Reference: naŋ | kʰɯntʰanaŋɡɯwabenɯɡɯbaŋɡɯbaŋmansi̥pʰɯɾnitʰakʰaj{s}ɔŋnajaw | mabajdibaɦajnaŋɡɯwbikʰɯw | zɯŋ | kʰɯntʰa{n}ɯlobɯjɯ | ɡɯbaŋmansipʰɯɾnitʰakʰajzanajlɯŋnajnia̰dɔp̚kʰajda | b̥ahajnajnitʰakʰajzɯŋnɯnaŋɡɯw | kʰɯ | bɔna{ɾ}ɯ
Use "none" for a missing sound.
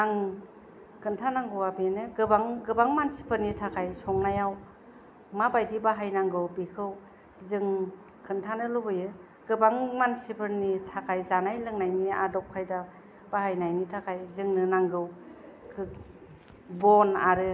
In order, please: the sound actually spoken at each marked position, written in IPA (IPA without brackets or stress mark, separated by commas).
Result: s, n, ɾ